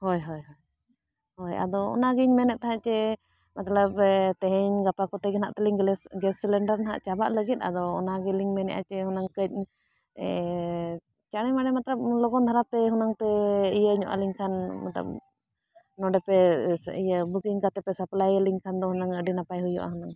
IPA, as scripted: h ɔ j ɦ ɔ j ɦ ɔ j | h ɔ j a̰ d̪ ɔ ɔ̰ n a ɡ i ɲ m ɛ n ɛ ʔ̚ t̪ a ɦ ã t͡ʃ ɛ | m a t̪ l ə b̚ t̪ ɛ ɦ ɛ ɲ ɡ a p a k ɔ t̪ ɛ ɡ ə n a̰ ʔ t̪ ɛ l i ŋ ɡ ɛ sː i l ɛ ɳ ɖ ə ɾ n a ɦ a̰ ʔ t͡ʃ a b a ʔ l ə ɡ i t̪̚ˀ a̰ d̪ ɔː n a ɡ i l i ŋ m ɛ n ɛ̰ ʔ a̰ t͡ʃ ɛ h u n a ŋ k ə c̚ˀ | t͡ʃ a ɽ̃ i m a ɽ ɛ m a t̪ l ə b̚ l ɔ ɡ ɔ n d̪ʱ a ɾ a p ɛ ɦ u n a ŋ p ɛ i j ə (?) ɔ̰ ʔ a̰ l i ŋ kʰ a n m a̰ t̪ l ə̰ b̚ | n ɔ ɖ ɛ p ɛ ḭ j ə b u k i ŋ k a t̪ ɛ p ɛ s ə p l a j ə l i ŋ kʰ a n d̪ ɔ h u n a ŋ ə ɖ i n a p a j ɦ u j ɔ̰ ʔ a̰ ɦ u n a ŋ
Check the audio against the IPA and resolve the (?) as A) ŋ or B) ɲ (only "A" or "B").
B